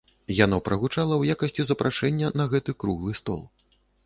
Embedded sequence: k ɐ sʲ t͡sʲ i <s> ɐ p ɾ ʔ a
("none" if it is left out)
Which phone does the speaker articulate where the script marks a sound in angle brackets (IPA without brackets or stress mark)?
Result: z